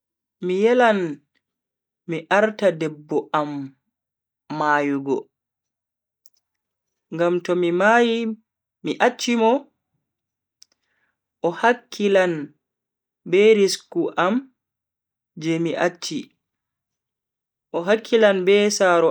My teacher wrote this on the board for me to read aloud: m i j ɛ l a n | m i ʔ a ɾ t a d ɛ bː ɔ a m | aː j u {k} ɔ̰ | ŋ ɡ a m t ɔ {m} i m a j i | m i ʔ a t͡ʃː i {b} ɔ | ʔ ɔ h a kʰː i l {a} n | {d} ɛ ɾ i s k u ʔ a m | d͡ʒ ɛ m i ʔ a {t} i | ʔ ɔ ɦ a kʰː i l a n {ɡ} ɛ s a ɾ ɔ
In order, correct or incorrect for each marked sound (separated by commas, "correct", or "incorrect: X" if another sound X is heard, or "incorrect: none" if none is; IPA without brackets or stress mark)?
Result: incorrect: ɡ, correct, incorrect: m, correct, incorrect: b, incorrect: t͡ʃː, incorrect: b